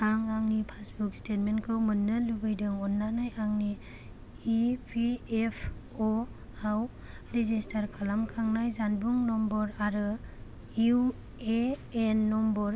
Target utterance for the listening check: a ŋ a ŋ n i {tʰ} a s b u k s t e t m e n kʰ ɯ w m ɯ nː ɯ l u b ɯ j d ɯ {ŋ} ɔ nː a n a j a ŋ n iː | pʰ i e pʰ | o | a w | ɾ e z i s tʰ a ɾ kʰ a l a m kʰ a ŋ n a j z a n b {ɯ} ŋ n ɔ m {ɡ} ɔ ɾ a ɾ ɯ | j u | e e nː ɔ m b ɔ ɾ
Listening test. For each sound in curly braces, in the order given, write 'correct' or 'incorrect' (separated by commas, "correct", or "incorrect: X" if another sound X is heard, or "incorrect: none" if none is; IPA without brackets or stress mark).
incorrect: pʰ, correct, incorrect: u, incorrect: b